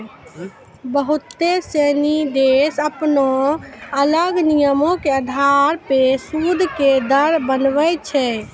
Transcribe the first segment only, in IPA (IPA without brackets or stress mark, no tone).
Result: b